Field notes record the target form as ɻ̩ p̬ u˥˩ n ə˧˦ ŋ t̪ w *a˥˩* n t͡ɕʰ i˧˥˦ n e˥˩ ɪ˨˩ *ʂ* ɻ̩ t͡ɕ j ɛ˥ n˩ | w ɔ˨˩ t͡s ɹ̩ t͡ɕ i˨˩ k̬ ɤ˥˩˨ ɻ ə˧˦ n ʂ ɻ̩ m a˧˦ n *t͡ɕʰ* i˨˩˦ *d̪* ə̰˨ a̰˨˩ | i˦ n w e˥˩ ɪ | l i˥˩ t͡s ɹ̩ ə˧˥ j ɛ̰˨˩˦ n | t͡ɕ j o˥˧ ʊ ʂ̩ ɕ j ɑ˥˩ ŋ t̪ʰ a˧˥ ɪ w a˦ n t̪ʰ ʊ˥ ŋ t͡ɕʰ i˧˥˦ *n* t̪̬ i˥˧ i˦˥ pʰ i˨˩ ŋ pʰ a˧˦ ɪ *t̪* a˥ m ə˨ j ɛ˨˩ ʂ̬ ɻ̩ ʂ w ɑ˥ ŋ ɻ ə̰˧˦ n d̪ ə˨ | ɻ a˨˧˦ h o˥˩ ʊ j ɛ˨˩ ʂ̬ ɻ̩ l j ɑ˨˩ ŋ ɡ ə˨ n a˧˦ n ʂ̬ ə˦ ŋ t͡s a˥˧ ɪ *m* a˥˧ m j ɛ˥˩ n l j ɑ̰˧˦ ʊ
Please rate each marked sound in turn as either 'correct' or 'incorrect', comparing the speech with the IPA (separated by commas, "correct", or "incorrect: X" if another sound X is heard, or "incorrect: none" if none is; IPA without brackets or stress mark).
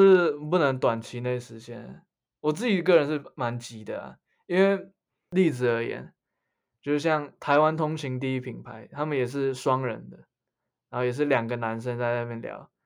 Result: incorrect: a˨˩, correct, incorrect: t͡ɕ, correct, incorrect: ŋ, incorrect: t̪ʰ, incorrect: n